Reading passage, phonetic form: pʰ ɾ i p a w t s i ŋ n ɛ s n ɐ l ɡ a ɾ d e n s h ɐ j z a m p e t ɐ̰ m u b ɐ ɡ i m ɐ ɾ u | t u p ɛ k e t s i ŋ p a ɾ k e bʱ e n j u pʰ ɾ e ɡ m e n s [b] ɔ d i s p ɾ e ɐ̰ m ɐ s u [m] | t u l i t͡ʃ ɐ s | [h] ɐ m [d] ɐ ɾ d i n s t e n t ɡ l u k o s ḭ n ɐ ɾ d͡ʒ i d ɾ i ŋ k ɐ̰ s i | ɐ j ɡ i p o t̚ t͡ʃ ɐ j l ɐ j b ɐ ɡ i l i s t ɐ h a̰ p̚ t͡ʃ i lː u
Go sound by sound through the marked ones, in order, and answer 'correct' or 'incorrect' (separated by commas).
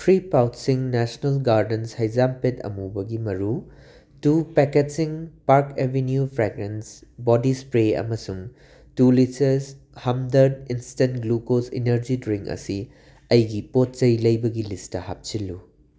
correct, incorrect, correct, correct